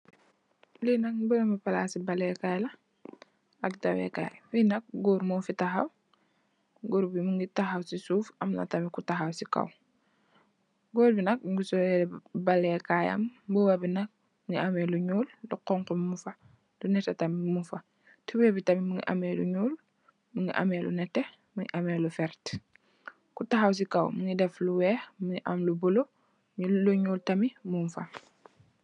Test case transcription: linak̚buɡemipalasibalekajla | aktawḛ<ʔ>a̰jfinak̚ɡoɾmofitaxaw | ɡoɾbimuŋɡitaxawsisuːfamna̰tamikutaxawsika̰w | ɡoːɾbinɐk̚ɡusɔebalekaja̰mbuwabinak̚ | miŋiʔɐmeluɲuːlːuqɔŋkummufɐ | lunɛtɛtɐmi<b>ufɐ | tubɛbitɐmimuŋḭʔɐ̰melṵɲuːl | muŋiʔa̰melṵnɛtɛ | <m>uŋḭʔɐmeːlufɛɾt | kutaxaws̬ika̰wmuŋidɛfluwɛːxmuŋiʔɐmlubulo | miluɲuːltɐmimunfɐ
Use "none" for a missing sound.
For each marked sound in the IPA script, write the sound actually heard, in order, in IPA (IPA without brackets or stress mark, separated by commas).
k, m, m